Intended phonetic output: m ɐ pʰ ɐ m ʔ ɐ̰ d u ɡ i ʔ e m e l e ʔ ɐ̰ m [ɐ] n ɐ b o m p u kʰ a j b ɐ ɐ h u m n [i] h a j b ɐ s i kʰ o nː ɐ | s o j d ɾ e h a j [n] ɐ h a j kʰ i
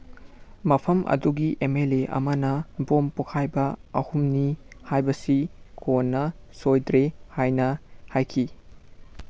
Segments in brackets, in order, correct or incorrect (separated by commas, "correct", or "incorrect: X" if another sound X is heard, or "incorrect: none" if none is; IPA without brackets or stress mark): correct, correct, correct